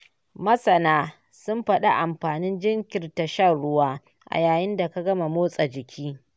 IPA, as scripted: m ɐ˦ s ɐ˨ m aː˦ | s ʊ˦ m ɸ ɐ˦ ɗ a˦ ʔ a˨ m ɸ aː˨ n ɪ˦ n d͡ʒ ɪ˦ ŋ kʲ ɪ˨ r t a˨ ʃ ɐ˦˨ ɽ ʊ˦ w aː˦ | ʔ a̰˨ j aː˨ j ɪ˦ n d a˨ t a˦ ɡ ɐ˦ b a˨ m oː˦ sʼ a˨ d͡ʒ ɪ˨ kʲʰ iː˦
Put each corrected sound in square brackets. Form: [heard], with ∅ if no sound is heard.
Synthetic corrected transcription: m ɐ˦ s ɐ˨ [n] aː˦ | s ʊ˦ m ɸ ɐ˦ ɗ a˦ ʔ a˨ m ɸ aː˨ n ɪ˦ n d͡ʒ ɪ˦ ŋ kʲ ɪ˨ r t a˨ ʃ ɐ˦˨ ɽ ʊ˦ w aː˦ | ʔ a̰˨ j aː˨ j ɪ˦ n d a˨ [k] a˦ ɡ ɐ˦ [m] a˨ m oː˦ sʼ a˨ d͡ʒ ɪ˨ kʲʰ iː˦